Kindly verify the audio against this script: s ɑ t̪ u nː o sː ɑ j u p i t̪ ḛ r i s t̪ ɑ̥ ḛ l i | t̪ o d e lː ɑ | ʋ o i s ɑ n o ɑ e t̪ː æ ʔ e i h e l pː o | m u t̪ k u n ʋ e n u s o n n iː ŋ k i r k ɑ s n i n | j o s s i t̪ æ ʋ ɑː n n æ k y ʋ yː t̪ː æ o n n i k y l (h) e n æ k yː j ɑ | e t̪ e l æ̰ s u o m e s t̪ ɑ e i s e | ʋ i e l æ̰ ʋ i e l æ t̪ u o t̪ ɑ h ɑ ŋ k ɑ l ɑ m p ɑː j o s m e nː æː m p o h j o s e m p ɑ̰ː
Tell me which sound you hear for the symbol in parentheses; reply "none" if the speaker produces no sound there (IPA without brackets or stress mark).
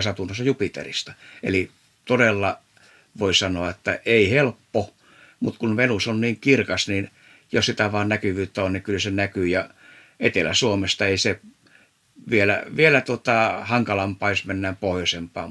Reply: s